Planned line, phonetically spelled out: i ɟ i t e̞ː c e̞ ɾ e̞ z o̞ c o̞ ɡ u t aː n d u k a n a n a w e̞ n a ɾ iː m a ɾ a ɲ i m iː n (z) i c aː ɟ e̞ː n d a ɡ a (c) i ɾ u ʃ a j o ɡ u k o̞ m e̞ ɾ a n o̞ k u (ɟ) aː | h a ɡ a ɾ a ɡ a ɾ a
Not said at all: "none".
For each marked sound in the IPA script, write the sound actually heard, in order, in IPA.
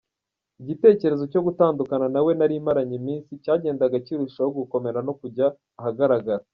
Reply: s, c, ɟ

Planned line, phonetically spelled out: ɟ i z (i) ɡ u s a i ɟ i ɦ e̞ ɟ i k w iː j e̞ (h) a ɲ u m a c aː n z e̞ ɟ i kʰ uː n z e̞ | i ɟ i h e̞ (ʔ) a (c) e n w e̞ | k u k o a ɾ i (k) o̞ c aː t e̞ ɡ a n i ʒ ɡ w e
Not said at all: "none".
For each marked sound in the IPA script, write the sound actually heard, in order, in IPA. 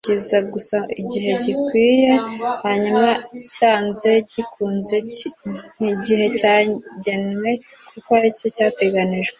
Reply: a, h, c, ɟ, c

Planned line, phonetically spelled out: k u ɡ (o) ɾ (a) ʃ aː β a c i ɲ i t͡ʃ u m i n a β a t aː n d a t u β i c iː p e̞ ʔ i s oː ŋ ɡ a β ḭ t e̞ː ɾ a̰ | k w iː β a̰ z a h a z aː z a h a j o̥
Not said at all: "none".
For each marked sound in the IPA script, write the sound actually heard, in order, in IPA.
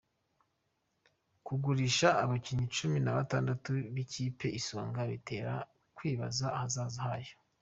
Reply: u, i

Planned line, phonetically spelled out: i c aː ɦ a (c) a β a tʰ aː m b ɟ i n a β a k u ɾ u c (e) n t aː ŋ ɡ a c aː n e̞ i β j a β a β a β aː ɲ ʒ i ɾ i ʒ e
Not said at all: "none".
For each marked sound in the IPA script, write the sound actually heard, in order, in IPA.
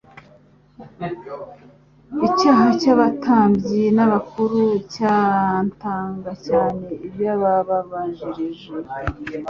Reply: c, a

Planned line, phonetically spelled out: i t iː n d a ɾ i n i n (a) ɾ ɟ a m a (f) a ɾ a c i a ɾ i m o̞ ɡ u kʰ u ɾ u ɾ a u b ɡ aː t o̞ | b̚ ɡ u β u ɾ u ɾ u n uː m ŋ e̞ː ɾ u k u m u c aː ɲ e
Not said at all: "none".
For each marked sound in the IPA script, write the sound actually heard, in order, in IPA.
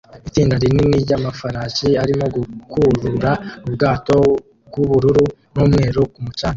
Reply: i, f

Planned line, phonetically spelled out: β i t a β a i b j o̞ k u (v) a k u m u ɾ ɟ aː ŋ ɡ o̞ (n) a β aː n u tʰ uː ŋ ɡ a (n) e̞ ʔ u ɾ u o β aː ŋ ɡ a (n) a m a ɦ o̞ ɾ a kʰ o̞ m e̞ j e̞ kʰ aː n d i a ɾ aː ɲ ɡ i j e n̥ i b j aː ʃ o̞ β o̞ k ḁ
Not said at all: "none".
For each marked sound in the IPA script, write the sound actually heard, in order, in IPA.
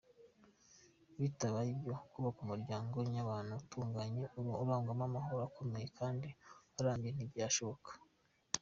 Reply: β, ɲ, ɲ, m

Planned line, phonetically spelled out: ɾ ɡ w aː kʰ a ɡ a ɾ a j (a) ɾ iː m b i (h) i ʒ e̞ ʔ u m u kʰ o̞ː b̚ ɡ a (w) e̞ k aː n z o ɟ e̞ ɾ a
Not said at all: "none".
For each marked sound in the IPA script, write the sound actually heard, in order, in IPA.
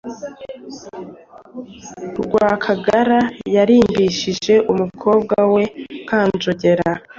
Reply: a, ʃ, w

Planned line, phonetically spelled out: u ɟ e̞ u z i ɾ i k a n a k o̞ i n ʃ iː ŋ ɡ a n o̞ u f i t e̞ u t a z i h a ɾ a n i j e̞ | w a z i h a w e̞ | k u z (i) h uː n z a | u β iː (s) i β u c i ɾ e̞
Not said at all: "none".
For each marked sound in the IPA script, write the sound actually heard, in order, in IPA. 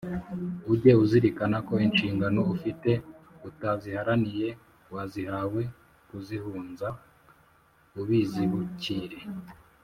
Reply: i, z

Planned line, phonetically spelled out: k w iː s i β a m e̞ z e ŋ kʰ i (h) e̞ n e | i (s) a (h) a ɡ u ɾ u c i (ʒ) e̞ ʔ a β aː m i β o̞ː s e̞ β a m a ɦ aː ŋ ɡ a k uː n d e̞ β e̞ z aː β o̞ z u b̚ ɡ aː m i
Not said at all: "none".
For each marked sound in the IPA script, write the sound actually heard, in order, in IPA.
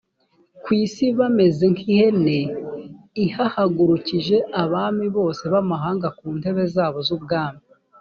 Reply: h, h, h, ʒ

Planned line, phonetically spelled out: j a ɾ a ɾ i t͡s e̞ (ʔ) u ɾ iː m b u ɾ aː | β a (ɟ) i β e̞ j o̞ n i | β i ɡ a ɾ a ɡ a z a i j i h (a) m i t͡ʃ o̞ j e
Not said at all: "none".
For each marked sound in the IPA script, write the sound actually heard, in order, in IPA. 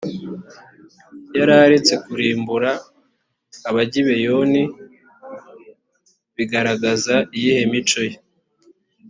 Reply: k, ɟ, e

